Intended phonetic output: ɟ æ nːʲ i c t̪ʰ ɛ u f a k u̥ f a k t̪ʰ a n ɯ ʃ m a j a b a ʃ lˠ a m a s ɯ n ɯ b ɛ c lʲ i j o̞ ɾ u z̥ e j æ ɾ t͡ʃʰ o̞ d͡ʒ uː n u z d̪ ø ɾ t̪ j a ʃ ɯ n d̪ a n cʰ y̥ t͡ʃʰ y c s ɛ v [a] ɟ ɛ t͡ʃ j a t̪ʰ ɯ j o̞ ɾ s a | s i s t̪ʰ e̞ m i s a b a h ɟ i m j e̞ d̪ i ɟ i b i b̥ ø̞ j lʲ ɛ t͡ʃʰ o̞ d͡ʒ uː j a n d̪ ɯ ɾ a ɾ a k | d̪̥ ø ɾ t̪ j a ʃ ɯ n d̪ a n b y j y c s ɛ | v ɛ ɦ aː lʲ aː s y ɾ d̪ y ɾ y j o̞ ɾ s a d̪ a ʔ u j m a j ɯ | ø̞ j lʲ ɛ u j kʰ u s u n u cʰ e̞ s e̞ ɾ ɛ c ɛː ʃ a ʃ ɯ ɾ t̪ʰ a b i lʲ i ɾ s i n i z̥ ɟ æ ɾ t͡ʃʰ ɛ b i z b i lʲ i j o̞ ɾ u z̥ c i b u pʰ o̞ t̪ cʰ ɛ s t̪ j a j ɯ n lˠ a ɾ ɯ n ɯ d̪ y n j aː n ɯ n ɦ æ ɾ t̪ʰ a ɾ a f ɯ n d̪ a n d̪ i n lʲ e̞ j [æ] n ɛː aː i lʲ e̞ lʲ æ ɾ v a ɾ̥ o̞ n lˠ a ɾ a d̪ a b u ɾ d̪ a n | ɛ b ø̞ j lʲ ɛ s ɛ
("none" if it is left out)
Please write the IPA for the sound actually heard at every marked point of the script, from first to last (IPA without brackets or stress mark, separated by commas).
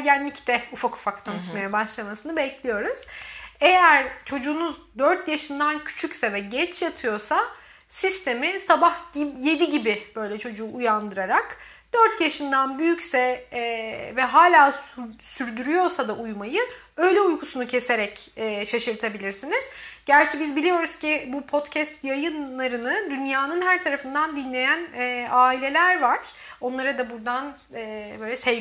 ɛ, æ